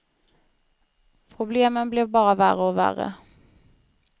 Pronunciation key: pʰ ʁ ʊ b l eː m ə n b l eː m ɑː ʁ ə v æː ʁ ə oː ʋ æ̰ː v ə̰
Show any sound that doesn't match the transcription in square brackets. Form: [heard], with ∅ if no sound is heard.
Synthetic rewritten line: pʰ ʁ ʊ b l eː m ə n b l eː [b] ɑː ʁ ə [ʋ] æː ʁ ə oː ʋ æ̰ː [ʁ] ə̰